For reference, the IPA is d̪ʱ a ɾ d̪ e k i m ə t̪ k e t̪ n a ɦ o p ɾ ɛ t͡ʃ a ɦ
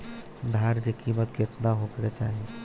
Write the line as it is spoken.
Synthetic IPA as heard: d̪ʱ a ɾ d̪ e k i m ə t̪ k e t̪ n a ɦ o k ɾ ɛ t͡ʃ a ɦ

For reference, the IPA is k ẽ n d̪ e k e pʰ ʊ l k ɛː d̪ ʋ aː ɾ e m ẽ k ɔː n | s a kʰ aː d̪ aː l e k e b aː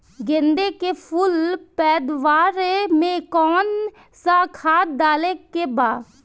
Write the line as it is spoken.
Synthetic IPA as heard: ɡ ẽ n d̪ e k e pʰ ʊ l p ɛː d̪ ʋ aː ɾ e m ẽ k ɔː n | s a kʰ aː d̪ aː l e k e b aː

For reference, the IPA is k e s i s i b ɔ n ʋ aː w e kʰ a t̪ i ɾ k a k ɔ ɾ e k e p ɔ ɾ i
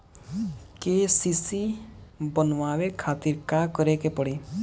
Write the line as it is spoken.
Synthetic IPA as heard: k e s i s i b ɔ n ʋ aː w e kʰ a t̪ i ɾ k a k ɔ ɾ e k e p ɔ ɽ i

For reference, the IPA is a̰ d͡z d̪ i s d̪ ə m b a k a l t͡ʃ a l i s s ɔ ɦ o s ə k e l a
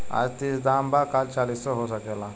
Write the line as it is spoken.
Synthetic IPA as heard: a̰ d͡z t̪ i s d̪ a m b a k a l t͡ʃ a l i s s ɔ ɦ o s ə k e l a

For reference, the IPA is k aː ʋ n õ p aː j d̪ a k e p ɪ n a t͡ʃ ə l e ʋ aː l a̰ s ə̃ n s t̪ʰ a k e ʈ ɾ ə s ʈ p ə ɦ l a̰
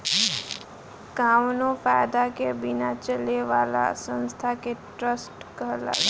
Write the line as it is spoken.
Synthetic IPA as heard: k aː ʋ n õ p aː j d̪ a k e b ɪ n a t͡ʃ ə l e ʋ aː l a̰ s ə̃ n s t̪ʰ a k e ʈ ɾ ə s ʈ k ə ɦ l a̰

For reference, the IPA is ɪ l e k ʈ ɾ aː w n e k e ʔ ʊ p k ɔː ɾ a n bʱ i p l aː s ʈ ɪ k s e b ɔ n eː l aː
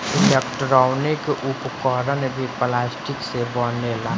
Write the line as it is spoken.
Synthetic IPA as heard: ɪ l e k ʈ ɾ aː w n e k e ʔ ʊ p k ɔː ɾ ə n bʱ i p l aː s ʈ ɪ k s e b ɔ n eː l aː

